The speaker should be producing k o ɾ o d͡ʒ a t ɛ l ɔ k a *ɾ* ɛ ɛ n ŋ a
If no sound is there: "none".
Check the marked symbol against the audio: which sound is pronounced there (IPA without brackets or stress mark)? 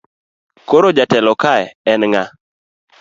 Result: none